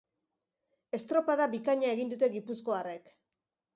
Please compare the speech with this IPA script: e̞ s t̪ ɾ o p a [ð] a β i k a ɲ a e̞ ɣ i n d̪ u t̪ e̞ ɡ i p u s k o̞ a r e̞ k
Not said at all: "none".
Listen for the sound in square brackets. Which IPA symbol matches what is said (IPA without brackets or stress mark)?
ð